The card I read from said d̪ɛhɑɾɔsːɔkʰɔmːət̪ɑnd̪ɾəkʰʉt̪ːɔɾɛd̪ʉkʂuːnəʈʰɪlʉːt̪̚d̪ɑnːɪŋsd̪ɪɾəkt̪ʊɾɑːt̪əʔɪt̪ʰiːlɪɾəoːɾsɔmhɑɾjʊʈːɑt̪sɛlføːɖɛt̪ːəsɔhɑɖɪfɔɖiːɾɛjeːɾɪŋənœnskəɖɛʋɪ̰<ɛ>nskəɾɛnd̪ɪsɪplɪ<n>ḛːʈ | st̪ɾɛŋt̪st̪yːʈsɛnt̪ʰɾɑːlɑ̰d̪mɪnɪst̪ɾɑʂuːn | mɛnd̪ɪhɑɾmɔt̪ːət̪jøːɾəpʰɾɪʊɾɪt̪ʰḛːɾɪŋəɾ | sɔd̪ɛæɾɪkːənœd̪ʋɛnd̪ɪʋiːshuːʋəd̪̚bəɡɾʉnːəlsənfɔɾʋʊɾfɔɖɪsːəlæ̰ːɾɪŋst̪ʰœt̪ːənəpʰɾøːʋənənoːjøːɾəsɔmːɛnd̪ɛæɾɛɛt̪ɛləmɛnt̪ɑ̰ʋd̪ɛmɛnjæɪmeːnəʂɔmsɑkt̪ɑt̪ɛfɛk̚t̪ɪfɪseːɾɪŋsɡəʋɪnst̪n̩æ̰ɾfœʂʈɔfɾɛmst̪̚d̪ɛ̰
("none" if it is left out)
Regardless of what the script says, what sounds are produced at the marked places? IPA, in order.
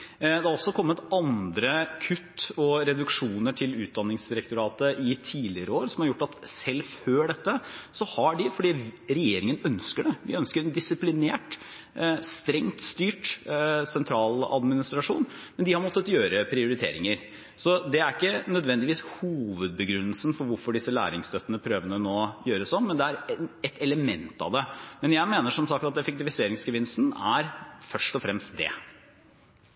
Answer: œ, n

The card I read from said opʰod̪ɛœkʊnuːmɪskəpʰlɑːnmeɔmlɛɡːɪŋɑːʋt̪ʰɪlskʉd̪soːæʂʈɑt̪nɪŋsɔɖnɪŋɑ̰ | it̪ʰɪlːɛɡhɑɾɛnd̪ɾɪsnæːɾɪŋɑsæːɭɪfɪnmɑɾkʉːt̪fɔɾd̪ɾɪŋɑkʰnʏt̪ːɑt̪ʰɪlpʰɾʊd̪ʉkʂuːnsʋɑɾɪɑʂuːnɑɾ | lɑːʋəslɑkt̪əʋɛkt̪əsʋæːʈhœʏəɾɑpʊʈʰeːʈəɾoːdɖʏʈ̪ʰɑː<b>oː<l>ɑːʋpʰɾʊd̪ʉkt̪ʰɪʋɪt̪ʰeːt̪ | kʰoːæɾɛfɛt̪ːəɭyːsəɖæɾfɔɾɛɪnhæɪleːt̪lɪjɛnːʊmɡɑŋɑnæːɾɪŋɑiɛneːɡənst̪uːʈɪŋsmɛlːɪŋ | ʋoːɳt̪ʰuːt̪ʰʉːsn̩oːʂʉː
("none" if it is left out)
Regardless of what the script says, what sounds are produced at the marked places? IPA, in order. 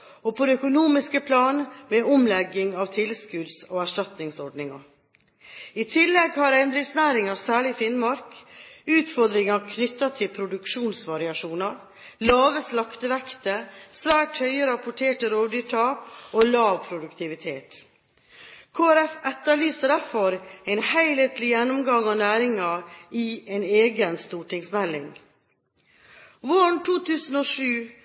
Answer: p, l

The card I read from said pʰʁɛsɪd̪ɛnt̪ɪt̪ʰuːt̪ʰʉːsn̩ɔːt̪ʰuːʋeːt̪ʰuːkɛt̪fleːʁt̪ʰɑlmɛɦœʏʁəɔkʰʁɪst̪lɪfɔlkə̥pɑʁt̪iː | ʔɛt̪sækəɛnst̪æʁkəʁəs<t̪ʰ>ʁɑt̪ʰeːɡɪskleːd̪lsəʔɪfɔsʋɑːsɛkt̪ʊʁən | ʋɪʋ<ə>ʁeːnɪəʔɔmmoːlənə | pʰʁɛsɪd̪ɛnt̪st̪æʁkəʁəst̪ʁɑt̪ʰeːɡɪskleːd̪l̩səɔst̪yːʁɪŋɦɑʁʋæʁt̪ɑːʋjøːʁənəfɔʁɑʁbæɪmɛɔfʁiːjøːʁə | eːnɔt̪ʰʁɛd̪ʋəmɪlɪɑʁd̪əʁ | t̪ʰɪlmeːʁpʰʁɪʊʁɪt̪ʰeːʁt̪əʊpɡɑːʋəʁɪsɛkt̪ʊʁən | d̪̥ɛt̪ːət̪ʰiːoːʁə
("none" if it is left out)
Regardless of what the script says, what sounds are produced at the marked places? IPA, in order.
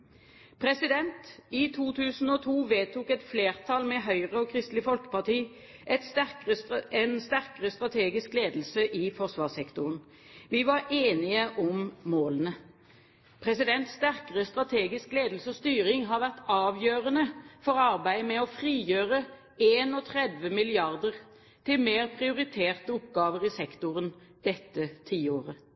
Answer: t̪, ɑ

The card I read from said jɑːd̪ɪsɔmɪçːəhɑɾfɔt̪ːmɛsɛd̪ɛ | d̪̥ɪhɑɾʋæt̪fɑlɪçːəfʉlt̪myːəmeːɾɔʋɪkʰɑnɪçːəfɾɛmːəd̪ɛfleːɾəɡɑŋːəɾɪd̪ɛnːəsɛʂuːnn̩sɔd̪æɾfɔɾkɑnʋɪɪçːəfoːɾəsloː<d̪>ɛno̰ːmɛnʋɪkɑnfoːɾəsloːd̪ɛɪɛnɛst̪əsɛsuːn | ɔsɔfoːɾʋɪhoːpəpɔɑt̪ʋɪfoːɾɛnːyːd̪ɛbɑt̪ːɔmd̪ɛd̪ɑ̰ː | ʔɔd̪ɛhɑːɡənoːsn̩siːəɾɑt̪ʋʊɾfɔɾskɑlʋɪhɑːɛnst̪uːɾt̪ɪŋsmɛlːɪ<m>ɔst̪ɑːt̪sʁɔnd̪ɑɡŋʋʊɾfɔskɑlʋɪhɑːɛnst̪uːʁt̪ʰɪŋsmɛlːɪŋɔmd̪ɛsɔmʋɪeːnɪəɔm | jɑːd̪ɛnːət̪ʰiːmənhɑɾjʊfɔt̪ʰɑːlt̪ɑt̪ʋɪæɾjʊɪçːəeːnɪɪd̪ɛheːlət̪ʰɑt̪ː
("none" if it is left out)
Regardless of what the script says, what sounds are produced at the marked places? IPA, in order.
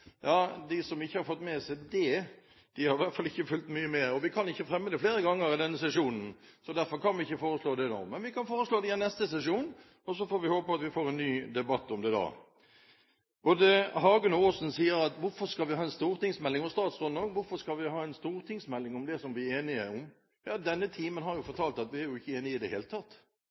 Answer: d̪, ŋ

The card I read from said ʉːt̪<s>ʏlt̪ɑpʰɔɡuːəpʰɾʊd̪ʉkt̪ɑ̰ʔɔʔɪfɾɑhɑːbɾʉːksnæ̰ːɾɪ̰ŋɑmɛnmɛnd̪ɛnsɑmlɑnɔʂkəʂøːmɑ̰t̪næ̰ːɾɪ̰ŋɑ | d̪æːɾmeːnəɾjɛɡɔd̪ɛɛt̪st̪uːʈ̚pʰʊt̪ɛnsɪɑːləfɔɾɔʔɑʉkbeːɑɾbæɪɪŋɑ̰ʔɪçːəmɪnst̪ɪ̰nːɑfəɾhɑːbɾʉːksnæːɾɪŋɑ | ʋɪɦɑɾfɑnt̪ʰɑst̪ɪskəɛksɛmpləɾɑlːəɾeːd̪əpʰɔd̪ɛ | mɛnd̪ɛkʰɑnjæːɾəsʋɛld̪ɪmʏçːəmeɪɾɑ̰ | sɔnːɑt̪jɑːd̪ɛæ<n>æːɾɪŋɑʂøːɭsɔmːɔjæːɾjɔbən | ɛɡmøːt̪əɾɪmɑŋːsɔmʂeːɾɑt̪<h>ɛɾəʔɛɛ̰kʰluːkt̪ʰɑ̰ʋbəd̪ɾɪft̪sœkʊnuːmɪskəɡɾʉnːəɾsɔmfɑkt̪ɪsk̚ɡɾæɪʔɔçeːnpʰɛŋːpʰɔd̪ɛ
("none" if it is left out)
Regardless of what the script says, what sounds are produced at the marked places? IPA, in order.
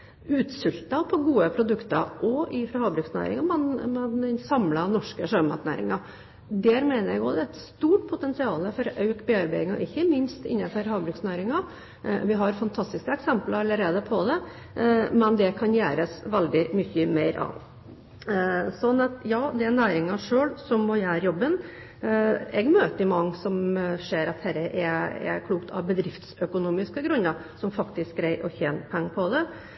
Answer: s, n, h

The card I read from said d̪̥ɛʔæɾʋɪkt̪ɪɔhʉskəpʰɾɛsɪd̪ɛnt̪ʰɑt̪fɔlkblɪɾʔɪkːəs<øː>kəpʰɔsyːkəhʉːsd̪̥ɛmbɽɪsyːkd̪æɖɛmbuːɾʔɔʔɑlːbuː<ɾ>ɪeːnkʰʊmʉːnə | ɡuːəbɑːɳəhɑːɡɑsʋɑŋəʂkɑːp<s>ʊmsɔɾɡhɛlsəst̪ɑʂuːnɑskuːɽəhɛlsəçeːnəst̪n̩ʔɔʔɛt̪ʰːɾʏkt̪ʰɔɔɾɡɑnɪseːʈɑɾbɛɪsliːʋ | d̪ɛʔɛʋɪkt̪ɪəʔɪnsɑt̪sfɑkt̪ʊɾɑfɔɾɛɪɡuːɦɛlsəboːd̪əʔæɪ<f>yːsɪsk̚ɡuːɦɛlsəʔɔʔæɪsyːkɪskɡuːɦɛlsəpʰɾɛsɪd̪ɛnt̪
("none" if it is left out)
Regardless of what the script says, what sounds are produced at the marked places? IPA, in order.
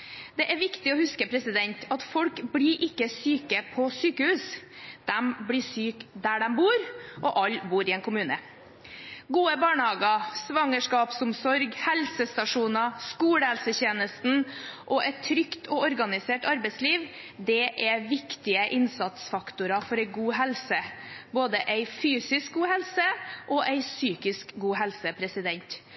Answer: yː, ɾ, s, f

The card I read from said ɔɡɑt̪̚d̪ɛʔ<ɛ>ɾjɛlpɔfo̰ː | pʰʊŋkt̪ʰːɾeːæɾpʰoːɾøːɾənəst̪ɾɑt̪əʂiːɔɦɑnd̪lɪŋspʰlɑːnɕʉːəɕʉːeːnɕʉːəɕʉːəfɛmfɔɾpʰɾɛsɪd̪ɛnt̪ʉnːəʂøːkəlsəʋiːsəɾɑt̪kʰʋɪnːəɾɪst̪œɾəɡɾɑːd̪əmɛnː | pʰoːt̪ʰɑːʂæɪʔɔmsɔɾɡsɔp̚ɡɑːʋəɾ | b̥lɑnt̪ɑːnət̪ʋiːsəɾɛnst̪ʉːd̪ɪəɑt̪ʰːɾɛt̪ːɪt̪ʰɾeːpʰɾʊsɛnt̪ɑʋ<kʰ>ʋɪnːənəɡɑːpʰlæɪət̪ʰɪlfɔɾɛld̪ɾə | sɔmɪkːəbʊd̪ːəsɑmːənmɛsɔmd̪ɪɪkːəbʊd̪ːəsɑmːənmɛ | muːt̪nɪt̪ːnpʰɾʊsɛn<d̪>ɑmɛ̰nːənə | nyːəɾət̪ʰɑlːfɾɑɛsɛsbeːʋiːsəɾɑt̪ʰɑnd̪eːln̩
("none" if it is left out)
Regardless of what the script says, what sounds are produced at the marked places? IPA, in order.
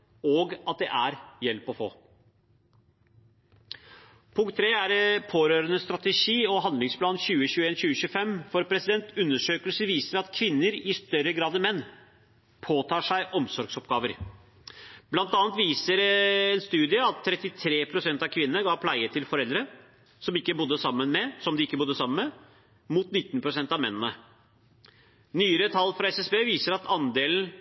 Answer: æ, kʰ, t̪

